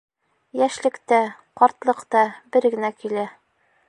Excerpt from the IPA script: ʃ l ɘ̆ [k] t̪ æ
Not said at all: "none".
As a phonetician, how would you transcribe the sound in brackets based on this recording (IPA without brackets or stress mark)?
k